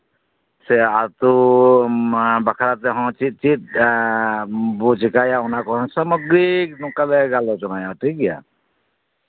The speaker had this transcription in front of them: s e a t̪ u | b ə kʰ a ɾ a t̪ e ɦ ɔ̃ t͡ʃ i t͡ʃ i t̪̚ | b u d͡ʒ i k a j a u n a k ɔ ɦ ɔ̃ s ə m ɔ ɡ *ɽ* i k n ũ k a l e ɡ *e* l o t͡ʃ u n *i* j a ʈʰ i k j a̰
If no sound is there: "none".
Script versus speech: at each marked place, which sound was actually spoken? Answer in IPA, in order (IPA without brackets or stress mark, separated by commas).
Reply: ɾ, a, a